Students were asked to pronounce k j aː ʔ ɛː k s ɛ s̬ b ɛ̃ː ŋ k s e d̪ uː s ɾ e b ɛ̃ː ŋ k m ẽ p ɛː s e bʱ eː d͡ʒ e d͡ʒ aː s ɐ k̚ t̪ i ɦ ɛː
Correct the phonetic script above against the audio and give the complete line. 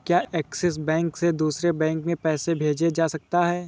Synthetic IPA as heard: k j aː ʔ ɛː k s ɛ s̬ b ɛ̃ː ŋ k s e d̪ uː s ɾ e b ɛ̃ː ŋ k m ẽ p ɛː s e bʱ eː d͡ʒ e d͡ʒ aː s ɐ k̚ t̪ a ɦ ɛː